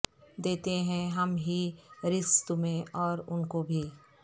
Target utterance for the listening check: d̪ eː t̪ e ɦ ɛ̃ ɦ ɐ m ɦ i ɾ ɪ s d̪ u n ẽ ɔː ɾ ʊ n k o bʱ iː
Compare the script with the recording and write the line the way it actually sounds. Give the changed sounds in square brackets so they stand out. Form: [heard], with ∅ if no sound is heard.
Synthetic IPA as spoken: d̪ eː t̪ e ɦ ɛ̃ ɦ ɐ m ɦ i ɾ ɪ s [t̪] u [m] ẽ ɔː ɾ ʊ n k o bʱ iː